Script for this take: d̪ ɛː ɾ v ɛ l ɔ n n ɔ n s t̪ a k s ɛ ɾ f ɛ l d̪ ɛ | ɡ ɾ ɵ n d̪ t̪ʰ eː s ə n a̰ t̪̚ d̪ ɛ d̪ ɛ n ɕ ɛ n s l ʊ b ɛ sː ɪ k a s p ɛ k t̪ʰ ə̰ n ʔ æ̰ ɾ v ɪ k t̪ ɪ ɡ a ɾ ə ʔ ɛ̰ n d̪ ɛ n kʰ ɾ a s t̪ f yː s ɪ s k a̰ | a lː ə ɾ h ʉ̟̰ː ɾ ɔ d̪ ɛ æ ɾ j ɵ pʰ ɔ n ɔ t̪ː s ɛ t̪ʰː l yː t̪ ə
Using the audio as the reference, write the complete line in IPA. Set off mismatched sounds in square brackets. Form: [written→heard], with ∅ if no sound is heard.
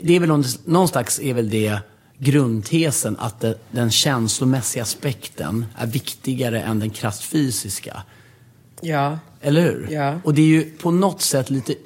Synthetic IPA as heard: d̪ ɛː ɾ v ɛ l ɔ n n ɔ n s t̪ a k s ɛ ɾ [f→v] ɛ l d̪ ɛ | ɡ ɾ ɵ n d̪ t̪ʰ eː s ə n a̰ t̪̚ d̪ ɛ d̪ ɛ n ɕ ɛ n s l ʊ [b→m] ɛ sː ɪ [k→ɡ] a s p ɛ k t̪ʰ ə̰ n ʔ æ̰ ɾ v ɪ k t̪ ɪ ɡ a ɾ ə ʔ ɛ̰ n d̪ ɛ n kʰ ɾ a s t̪ f yː s ɪ s k a̰ | [a→ɛ] lː ə ɾ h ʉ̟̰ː ɾ ɔ d̪ ɛ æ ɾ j ɵ pʰ ɔ n ɔ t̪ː s ɛ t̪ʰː l [yː→iː] t̪ ə